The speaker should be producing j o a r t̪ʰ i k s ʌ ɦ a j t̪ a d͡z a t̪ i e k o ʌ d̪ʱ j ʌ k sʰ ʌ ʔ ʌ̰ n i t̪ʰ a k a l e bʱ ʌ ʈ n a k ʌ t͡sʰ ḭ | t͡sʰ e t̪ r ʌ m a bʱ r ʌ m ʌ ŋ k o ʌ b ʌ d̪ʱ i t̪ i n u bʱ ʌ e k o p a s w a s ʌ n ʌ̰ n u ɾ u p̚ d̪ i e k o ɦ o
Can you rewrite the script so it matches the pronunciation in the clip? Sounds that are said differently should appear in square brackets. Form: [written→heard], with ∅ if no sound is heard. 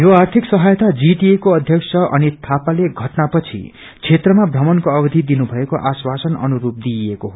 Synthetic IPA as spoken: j o a r t̪ʰ i k s ʌ ɦ a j t̪ a d͡z [a→i] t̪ i e k o ʌ d̪ʱ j ʌ k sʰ ʌ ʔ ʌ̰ n i t̪ʰ a [k→p] a l e [bʱ→ɡʱ] ʌ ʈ n a [k→p] ʌ t͡sʰ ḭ | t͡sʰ e t̪ r ʌ m a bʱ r ʌ m ʌ [ŋ→n] k o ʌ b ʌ d̪ʱ i [t̪→d̪] i n u bʱ ʌ e k o [p→ʔ] a s w a s ʌ n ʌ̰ n u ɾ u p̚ d̪ i e k o ɦ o